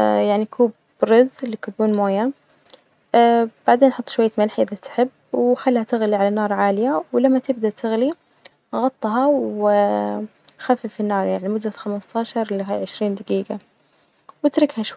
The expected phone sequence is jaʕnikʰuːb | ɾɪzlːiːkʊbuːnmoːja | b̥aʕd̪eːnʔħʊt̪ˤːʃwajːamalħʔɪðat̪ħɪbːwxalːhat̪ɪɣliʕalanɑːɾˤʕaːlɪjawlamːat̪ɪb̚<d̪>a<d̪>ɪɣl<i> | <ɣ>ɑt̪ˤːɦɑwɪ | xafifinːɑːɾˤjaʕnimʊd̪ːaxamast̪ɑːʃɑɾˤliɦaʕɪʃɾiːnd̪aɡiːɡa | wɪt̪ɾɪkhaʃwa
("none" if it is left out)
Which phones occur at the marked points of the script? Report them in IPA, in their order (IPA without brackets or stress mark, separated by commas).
d̪, t̪, i, ɣ